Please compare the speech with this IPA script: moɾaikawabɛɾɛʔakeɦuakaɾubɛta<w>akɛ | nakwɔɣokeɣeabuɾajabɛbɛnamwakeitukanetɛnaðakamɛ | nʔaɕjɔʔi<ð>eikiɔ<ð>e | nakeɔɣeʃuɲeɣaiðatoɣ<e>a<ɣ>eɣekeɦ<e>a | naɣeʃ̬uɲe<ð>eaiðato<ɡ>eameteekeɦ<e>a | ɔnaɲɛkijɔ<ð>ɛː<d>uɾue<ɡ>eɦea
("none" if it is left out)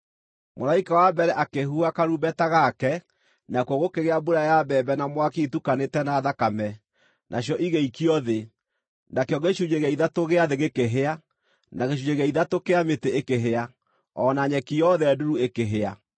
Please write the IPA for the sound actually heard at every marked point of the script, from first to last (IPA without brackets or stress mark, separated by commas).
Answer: ɣ, ɣ, ð, e, ð, e, ɣ, k, e, ð, d, k